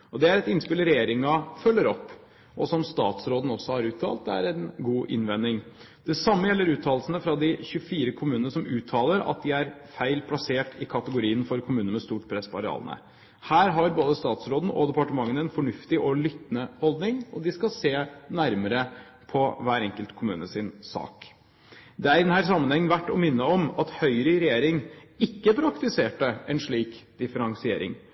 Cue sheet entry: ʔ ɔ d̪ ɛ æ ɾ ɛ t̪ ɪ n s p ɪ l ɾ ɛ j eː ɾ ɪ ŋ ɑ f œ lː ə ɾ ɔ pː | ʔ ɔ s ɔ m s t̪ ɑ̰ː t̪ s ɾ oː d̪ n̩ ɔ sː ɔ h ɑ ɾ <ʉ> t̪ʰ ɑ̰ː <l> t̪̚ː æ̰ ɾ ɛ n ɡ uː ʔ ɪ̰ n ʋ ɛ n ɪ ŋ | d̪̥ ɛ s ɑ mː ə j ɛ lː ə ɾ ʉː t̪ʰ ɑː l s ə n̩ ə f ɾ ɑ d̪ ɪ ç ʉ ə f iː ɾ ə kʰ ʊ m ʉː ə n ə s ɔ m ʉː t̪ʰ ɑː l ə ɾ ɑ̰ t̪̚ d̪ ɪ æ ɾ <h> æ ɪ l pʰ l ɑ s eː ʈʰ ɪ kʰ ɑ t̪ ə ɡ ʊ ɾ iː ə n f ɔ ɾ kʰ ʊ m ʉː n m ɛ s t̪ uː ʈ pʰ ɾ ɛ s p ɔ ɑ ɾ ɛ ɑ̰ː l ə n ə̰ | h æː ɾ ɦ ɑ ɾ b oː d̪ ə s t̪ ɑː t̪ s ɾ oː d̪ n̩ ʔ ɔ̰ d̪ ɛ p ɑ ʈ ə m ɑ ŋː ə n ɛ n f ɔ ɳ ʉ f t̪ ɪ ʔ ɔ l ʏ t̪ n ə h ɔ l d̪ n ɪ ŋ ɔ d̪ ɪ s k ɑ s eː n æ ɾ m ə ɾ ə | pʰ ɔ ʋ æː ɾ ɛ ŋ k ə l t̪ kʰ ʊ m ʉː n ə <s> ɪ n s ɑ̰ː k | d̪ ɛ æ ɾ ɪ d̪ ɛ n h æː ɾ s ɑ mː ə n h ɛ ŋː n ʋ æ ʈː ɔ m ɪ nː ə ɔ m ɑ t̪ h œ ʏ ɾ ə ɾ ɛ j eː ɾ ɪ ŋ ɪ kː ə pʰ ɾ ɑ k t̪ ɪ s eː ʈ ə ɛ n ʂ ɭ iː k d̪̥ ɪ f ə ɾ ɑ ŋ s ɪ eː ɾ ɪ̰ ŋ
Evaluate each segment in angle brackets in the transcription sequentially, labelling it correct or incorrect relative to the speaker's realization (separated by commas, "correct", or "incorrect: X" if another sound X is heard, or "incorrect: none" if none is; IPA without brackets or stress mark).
incorrect: ʉː, correct, incorrect: f, correct